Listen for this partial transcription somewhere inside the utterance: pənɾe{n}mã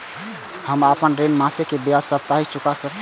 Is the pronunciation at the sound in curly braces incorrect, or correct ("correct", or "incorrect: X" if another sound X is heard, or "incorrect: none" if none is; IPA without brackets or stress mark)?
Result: correct